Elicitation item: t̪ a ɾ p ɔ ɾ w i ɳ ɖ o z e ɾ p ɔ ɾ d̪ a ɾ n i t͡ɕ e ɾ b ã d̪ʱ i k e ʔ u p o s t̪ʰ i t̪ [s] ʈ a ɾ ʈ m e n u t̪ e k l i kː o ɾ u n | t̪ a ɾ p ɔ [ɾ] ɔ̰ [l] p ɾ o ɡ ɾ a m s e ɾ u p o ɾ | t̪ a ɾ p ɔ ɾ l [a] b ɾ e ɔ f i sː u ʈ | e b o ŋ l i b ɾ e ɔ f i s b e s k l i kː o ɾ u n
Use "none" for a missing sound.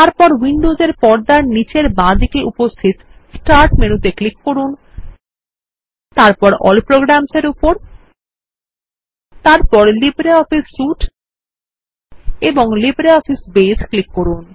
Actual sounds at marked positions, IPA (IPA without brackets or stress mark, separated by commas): s, ɾ, l, i